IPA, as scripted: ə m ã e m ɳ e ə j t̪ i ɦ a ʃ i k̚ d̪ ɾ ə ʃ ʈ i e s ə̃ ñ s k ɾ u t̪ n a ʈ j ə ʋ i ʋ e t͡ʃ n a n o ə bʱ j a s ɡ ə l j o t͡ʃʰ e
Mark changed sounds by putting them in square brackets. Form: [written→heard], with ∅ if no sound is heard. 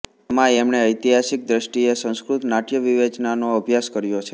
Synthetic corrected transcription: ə m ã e m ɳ e ə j t̪ i ɦ a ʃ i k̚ d̪ ɾ ə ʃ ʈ i e s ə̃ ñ s k ɾ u t̪ n a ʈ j ə ʋ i ʋ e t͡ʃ n a n o ə bʱ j a s [ɡ→k] ə [l→ɾ] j o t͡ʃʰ e